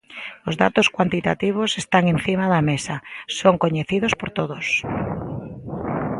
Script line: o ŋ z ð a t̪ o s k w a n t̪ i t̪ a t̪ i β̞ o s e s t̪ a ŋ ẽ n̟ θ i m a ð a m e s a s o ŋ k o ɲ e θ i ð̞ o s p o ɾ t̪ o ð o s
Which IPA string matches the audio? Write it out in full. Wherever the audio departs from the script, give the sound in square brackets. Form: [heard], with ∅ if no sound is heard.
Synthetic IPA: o [∅] z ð a t̪ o s k w a n t̪ i t̪ a t̪ i β̞ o s e s t̪ a ŋ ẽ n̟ θ i m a ð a m e s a s o ŋ k o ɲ e θ i ð̞ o s p o ɾ t̪ o ð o s